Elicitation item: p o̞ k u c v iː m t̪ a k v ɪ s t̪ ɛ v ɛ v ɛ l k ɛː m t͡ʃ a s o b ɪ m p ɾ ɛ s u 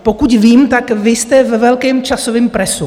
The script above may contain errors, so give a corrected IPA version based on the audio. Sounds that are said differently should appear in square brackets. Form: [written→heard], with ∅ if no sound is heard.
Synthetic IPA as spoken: p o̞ k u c v iː m t̪ a k v ɪ s t̪ ɛ v ɛ v ɛ l k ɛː m t͡ʃ a s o [b→v] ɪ m p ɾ ɛ s u